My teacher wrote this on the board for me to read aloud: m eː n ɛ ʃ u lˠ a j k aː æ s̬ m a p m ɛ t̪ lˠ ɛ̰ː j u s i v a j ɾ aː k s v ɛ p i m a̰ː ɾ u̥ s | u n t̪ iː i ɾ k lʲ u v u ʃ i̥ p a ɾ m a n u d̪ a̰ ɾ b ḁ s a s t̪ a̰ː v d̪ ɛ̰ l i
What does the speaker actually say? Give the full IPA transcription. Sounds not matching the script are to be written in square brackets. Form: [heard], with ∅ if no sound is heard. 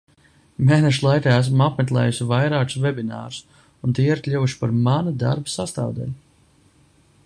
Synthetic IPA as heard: m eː n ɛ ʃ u lˠ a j k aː æ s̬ m a p m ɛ t̪ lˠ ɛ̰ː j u s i v a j ɾ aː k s v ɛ [b] i [n] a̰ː ɾ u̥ s | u n t̪ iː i ɾ k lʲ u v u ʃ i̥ p a ɾ m a n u d̪ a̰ ɾ b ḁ s a s t̪ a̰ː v d̪ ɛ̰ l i

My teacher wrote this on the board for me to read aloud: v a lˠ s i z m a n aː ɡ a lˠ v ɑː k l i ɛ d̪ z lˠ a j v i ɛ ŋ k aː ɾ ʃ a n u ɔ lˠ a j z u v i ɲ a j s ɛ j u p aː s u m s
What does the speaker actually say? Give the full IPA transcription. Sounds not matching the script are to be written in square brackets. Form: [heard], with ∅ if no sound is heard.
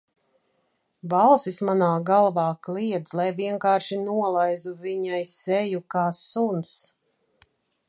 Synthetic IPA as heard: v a lˠ s i [s] m a n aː ɡ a lˠ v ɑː k l i ɛ d̪ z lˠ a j v i ɛ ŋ k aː ɾ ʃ [i] n u ɔ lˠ a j z u v i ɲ a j s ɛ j u [k] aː s u [n] s

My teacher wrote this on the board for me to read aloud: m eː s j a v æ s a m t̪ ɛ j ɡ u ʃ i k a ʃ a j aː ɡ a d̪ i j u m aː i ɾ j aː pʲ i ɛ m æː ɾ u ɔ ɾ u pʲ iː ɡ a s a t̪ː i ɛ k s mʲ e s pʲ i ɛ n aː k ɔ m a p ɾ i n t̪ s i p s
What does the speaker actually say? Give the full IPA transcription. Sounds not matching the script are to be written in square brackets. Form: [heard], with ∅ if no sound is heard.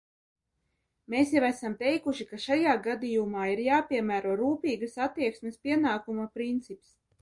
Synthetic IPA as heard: m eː s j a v æ s a m t̪ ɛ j [k] u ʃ i k a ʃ a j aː ɡ a d̪ i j u m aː i ɾ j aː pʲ i ɛ m æː ɾ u ɔ ɾ [uː] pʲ iː ɡ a s a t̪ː i ɛ k s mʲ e s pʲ i ɛ n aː k [u] m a p ɾ i n t̪ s i p s

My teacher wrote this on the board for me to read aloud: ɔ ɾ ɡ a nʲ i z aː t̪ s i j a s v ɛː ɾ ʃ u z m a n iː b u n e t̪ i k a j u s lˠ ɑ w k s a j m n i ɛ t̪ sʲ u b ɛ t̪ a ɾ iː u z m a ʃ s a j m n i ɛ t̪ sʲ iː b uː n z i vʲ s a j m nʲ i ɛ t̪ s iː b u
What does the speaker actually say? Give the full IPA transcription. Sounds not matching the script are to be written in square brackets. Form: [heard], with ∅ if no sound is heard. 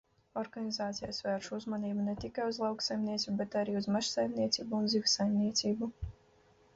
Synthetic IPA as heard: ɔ ɾ ɡ a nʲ i z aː t̪ s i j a s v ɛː ɾ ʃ u z m a n iː b u n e t̪ i k a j u [z] lˠ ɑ w k s a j m n i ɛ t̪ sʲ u b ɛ t̪ a ɾ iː u z m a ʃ s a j m n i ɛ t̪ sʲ iː b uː n z i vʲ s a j m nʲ i ɛ t̪ s iː b u

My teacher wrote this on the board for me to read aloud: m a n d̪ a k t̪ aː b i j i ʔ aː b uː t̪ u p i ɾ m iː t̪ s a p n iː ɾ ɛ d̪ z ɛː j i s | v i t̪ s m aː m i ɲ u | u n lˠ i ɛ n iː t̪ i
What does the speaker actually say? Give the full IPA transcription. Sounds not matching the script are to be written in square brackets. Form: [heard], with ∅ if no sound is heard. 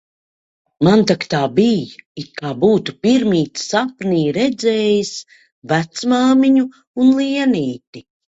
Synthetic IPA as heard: m a n [t̪] a k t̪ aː b i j i [k] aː b uː t̪ u p i ɾ m iː t̪ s a p n iː ɾ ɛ d̪ z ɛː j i s | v [æ] t̪ s m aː m i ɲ u | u n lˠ i ɛ n iː t̪ i

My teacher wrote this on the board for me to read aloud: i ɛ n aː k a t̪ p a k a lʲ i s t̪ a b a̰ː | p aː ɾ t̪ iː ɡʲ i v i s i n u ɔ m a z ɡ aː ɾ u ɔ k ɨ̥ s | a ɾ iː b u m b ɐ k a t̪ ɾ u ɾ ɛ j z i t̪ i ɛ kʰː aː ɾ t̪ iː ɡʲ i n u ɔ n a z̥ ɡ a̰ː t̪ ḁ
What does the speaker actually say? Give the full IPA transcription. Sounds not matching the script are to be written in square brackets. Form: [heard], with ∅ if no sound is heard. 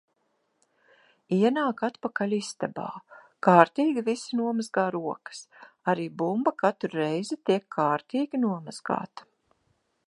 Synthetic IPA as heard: i ɛ n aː k a t̪ p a k a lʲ i s t̪ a b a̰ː | [k] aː ɾ t̪ iː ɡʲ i v i s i n u ɔ m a z ɡ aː ɾ u ɔ k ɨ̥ s | a ɾ iː b u m b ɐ k a t̪ ɾ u ɾ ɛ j z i t̪ i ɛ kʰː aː ɾ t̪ iː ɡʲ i n u ɔ [m] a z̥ ɡ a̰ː t̪ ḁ

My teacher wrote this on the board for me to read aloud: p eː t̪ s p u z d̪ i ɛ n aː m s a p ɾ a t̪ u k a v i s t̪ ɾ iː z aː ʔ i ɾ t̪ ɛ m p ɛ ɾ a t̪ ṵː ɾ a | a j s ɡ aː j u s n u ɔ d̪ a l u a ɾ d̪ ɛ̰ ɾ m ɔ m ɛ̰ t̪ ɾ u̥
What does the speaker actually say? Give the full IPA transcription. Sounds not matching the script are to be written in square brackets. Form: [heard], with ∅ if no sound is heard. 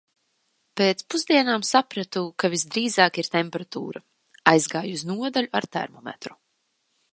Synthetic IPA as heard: p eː t̪ s p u z d̪ i ɛ n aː m s a p ɾ a t̪ u k a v i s [d̪] ɾ iː z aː [k] i ɾ t̪ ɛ m p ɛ ɾ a t̪ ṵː ɾ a | a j [z] ɡ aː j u [z] n u ɔ d̪ a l u a ɾ [t̪] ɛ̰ ɾ m ɔ m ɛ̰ t̪ ɾ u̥

